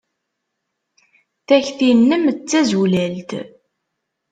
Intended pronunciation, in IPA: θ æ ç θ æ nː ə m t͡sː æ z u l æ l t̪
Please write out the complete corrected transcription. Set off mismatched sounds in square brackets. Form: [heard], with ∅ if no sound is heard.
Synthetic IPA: θ æ ç θ [i] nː ə m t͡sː æ z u l æ l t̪